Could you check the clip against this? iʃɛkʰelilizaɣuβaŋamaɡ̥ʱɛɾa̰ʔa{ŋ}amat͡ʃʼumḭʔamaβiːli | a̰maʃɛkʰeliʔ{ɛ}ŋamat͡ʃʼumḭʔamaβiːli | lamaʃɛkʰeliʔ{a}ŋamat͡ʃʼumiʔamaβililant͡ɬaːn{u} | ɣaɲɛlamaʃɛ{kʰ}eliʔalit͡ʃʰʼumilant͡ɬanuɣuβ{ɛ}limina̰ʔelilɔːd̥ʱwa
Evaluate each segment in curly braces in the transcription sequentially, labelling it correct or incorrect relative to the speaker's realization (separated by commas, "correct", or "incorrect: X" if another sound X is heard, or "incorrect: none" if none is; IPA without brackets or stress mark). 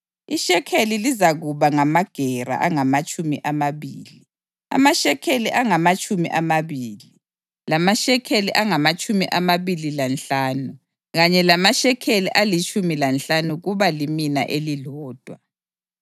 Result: correct, incorrect: a, correct, correct, correct, incorrect: a